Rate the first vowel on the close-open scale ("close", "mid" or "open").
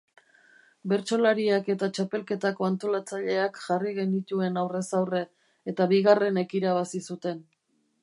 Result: mid